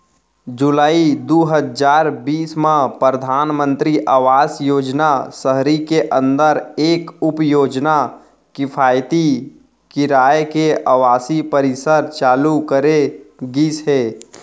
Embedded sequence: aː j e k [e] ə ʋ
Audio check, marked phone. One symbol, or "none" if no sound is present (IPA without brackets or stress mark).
e